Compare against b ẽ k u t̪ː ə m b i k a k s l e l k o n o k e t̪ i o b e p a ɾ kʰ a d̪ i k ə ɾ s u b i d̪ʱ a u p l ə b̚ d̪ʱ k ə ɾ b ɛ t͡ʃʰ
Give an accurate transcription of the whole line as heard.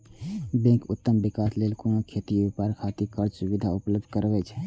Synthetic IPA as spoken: b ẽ k u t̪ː ə m b i k a s l e l k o n o kʰ e t̪ i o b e p a ɾ kʰ a t̪ i k ə ɾ s u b i d̪ʱ a u p l ə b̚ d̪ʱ k ə ɾ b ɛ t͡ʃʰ